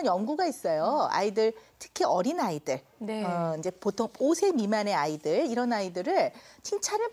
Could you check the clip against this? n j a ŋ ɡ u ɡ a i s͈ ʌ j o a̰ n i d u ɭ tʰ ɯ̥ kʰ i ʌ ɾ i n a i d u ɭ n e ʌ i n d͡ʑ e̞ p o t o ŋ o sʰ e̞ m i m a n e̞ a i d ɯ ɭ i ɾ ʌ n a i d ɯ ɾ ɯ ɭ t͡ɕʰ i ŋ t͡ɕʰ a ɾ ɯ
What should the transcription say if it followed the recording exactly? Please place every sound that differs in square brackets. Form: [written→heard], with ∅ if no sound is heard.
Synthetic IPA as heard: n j [a→ʌ] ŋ ɡ u ɡ a i s͈ ʌ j o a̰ [n→∅] i d [u→ɯ] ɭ tʰ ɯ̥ kʰ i ʌ ɾ i n a i d [u→ɯ] ɭ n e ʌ i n d͡ʑ e̞ p o [t→tʰ] o ŋ o sʰ e̞ m i m a n e̞ a i d ɯ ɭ i ɾ ʌ n a i d ɯ ɾ ɯ ɭ t͡ɕʰ i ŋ t͡ɕʰ a ɾ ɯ